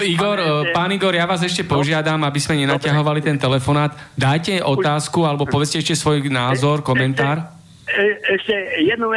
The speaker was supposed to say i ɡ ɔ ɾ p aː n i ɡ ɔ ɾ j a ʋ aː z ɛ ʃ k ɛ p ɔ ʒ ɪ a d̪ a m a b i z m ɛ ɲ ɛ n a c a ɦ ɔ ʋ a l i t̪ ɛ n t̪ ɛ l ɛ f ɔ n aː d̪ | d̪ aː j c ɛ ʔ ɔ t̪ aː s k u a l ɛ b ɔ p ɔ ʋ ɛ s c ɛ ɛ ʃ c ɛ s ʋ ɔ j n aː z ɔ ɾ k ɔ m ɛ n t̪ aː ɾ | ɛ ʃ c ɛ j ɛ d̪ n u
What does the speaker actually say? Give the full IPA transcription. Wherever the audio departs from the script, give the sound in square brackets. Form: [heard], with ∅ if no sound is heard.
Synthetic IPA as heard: i ɡ ɔ ɾ p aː n i ɡ ɔ ɾ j a ʋ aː z ɛ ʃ [c] ɛ p ɔ ʒ ɪ a d̪ a m a b i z m ɛ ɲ ɛ n a c a ɦ ɔ ʋ a l i t̪ ɛ n t̪ ɛ l ɛ f ɔ n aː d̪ | d̪ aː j c ɛ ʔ ɔ t̪ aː s k u a l ɛ b ɔ p ɔ ʋ ɛ [t͡s] c ɛ ɛ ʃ c ɛ s ʋ ɔ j n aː z ɔ ɾ k ɔ m ɛ n t̪ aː ɾ | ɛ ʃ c ɛ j ɛ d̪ n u